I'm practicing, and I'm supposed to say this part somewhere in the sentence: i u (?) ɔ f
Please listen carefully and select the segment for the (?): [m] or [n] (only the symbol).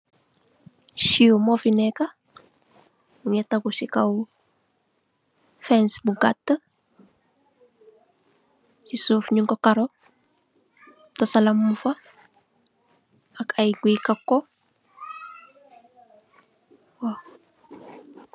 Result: m